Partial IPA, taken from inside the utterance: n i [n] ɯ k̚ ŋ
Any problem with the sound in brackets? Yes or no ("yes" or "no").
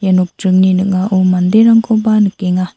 no